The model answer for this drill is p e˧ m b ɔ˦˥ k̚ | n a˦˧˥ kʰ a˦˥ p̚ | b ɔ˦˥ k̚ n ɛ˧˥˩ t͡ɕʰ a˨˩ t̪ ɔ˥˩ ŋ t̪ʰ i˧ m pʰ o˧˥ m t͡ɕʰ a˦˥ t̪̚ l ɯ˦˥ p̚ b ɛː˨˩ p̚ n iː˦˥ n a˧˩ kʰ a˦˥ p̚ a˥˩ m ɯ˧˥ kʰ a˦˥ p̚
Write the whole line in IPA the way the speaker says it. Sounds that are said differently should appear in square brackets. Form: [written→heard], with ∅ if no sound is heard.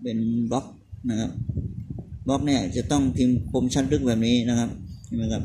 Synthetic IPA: p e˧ [m→n] b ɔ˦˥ k̚ | n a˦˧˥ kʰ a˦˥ p̚ | b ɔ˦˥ k̚ n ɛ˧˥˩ [t͡ɕʰ→t͡ɕ] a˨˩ t̪ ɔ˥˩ ŋ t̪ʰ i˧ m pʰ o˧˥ m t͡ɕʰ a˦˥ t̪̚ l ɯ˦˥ [p̚→k̚] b ɛː˨˩ p̚ n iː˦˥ n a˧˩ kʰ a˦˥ p̚ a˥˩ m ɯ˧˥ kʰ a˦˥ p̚